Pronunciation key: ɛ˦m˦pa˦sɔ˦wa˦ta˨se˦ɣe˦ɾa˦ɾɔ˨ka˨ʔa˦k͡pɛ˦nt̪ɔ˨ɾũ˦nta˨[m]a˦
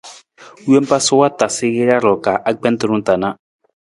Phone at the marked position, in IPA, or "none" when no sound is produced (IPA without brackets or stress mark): n